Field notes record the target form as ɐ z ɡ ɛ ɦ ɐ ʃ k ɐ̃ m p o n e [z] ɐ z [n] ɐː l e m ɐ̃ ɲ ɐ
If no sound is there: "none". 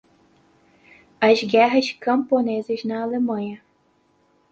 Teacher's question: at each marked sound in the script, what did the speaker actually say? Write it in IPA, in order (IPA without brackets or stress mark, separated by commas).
z, n